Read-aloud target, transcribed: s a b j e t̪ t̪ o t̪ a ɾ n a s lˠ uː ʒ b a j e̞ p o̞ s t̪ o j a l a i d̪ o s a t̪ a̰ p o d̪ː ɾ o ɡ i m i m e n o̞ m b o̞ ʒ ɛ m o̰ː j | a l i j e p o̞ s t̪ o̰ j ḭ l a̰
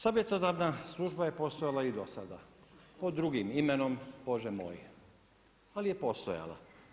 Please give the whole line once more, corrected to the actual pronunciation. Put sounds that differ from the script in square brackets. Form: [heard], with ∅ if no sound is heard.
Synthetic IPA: s a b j e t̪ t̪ o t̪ a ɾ n a s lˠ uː ʒ b a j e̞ p o̞ s t̪ o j a l a i d̪ o s a [d̪] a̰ p o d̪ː ɾ [u] ɡ i m i m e n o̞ m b o̞ ʒ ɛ m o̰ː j | a l i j e p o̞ s t̪ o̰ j [a̰] l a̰